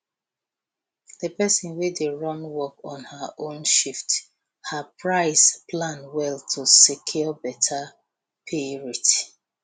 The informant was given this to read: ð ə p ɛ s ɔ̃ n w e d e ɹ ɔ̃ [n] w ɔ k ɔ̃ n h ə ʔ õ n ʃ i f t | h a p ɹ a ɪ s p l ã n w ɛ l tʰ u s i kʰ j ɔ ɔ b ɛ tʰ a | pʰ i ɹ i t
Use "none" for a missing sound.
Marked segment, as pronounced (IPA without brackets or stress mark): n